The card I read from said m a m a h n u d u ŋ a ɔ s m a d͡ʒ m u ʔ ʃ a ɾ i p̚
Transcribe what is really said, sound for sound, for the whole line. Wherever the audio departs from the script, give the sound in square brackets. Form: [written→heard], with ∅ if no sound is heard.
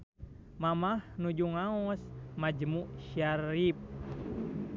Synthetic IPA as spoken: m a m a h n u [d→d͡ʒ] u ŋ a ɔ s m a d͡ʒ m u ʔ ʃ a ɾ i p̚